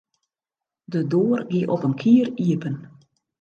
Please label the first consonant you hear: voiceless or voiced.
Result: voiced